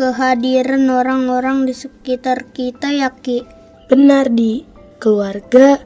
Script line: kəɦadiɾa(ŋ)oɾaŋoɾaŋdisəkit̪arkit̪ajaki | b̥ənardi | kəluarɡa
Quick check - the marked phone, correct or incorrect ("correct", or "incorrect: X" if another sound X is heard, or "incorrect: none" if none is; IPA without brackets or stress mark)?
incorrect: n